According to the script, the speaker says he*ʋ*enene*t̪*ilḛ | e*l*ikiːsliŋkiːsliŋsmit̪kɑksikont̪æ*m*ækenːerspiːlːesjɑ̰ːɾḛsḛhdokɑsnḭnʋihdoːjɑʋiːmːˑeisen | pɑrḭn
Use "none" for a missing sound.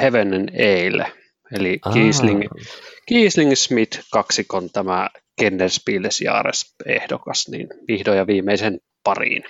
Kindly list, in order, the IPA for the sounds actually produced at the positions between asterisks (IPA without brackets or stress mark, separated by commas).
ʋ, none, l, m